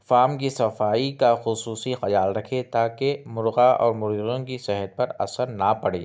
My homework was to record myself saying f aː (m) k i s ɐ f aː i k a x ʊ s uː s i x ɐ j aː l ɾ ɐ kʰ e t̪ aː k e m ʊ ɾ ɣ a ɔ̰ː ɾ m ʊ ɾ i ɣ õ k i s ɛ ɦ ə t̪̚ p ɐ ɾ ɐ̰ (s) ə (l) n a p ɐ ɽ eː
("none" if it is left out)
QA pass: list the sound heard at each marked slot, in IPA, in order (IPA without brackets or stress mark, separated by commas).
m, s, ɾ